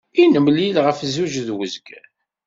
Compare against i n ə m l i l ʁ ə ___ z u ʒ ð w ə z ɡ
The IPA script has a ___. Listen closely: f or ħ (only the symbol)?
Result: f